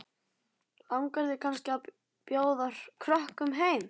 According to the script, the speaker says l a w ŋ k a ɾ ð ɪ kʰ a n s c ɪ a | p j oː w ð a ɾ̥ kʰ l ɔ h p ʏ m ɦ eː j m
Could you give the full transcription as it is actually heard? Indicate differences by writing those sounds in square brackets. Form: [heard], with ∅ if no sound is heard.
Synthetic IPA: l a w ŋ k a ɾ ð ɪ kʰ a n s c ɪ a | p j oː w ð a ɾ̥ kʰ [ɾ] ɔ h [k] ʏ m ɦ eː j m